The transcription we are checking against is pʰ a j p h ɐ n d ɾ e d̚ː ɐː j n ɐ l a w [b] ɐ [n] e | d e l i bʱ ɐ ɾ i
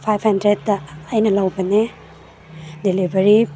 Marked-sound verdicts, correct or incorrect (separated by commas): correct, correct